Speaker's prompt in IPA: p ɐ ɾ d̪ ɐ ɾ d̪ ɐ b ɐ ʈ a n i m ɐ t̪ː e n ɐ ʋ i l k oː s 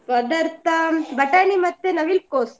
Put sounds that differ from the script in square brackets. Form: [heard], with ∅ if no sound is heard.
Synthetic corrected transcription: p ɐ [∅] d̪ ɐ ɾ [t̪] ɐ b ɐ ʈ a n i m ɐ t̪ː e n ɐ ʋ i l k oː s

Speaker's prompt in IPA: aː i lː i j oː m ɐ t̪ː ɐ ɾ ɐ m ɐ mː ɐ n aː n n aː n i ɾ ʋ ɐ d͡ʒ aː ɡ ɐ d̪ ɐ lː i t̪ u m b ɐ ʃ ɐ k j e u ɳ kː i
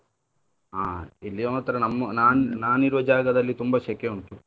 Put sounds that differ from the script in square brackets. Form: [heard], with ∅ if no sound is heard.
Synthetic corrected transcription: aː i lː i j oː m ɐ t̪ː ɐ ɾ ɐ [n] ɐ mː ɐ n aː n n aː n i ɾ ʋ ɐ d͡ʒ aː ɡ ɐ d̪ ɐ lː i t̪ u m b ɐ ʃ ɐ k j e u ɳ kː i

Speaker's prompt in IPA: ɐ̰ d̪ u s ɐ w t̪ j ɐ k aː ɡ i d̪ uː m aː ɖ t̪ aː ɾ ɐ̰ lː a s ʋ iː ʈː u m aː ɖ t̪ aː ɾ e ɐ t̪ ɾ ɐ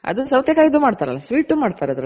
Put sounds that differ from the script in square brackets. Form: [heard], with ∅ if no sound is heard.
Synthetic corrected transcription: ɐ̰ d̪ u s ɐ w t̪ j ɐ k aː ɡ i d̪ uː m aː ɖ t̪ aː ɾ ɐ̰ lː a s ʋ iː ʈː u m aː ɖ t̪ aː ɾ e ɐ [d̪] ɾ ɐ

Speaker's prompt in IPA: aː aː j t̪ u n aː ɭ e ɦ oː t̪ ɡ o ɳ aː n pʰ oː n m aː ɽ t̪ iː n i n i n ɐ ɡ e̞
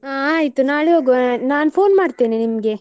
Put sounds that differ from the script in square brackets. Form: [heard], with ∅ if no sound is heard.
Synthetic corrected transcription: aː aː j t̪ u n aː ɭ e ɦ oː [∅] ɡ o [n] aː n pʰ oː n m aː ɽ t̪ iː n i n i [m] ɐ ɡ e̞

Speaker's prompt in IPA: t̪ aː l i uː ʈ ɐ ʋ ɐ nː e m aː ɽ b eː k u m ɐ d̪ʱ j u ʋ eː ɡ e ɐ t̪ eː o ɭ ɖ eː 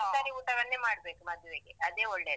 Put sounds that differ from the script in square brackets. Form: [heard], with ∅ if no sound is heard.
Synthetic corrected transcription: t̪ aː [ɾ] i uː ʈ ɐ ʋ ɐ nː e m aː ɽ b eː k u m ɐ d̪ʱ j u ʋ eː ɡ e ɐ [d̪] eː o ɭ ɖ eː

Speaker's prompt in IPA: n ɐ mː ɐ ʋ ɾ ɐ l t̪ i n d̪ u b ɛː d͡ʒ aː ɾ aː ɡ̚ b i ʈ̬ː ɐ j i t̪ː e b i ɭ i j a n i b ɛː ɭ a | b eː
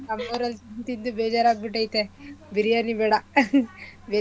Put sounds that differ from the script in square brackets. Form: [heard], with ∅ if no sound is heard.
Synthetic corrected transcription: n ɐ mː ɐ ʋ ɾ ɐ l t̪ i n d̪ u b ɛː d͡ʒ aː ɾ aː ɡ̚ b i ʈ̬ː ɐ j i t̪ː e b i [ɾ] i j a n i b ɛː [ɽ] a | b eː

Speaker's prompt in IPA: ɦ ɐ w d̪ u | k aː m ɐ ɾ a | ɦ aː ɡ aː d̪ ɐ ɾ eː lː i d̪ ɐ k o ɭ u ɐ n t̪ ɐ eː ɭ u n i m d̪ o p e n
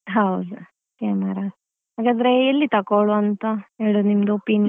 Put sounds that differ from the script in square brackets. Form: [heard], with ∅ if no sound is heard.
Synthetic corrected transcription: ɦ ɐ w d̪ u | k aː m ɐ ɾ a | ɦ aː ɡ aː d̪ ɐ ɾ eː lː i [t̪] ɐ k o ɭ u ɐ n t̪ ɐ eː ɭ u n i m d̪ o p [i] n

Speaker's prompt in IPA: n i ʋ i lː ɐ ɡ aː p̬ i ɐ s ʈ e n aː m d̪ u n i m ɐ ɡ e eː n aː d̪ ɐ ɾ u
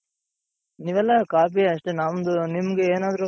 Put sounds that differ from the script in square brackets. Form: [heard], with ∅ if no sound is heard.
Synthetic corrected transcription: n i ʋ [ɛ] lː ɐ [k] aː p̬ i ɐ [ʂ] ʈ e n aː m d̪ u n i m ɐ ɡ e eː n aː d̪ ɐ ɾ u

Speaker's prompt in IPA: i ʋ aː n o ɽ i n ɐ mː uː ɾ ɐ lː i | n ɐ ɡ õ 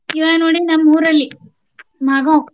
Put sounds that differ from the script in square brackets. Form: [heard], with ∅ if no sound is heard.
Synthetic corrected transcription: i ʋ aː n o ɽ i n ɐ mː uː ɾ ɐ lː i | [m] ɐ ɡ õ

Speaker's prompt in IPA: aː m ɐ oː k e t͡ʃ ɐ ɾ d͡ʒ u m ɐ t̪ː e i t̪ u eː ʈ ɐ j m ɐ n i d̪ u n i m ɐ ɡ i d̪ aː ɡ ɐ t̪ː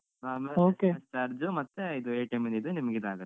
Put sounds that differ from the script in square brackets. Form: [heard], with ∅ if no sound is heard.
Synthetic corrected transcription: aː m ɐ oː k e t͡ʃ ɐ ɾ d͡ʒ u m ɐ t̪ː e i [d̪] u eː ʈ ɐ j m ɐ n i d̪ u n i m ɐ ɡ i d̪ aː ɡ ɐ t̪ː

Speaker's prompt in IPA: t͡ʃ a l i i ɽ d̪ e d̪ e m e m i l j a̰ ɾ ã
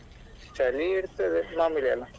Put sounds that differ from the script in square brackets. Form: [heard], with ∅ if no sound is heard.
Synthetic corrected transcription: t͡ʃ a l i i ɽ [t̪] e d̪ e m [a] m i l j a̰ [l] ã

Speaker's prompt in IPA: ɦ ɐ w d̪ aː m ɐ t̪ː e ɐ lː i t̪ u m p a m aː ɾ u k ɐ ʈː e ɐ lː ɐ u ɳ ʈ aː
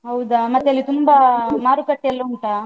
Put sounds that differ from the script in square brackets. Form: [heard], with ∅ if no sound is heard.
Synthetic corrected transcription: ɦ ɐ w d̪ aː m ɐ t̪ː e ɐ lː i t̪ u m [b] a m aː ɾ u k ɐ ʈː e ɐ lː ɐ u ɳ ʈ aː

